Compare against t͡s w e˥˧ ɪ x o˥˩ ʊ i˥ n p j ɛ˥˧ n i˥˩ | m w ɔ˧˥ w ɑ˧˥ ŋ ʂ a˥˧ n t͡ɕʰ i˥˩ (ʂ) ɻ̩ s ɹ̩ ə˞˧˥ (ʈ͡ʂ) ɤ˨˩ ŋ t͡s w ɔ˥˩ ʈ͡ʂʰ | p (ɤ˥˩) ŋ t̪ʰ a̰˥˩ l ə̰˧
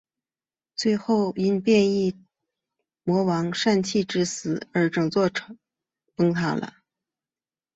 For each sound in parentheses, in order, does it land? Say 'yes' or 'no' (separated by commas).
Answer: no, yes, no